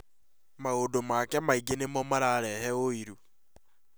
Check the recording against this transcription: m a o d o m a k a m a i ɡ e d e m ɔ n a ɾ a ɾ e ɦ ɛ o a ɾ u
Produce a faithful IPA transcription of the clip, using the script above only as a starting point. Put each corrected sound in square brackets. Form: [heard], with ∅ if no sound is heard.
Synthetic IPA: m a o d o m a k [ɛ] m a i ɡ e [n] e m ɔ [m] a ɾ a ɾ [ɛ] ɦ ɛ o [i] ɾ u